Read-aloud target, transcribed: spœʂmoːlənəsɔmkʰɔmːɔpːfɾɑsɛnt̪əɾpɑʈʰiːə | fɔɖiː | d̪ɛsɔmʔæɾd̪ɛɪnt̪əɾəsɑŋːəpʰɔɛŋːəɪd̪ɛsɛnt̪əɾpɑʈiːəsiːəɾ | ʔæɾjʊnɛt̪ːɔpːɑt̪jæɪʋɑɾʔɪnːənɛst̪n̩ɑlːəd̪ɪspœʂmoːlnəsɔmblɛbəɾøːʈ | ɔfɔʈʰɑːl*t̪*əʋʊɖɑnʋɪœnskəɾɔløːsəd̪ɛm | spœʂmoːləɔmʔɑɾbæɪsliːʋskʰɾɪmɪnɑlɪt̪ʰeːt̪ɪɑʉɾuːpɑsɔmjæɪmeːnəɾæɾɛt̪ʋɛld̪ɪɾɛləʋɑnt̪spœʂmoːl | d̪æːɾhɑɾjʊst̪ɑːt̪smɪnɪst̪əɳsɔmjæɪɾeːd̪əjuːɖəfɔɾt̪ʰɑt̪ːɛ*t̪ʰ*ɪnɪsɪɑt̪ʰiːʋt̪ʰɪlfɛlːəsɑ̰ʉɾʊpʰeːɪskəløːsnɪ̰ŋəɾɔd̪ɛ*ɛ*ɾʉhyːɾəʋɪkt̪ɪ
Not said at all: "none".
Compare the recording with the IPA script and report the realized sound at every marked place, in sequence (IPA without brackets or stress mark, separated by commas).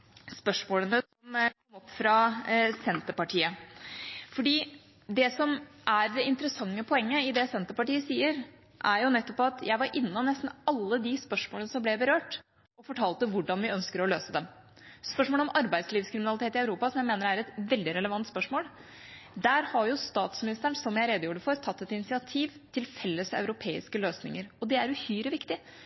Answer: t̪, t̪, æ